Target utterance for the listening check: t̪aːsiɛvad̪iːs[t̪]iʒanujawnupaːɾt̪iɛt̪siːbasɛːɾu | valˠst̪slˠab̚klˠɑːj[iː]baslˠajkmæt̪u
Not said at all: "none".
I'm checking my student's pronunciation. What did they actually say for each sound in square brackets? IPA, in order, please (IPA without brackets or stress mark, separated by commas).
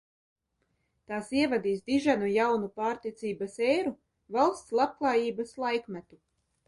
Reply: d̪, iː